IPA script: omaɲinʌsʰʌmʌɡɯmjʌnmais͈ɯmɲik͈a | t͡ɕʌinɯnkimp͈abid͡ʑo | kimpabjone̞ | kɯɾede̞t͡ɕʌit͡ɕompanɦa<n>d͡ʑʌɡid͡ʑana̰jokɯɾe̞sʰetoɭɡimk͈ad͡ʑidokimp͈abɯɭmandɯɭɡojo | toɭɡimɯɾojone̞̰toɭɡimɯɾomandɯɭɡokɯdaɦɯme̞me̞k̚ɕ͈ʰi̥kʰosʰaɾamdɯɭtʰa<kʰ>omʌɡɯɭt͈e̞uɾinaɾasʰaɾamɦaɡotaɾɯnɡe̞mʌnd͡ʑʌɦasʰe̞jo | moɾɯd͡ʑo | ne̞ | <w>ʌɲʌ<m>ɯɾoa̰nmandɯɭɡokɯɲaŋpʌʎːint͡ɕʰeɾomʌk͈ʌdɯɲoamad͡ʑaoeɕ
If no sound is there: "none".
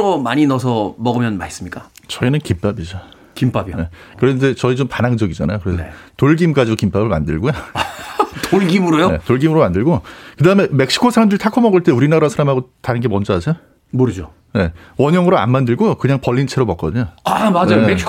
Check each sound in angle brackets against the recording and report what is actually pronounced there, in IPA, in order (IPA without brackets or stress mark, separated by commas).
ŋ, kʰ, w, ŋ